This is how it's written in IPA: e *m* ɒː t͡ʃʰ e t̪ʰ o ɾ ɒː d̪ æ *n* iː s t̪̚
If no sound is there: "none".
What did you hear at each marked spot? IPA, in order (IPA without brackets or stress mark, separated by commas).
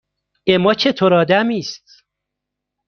m, m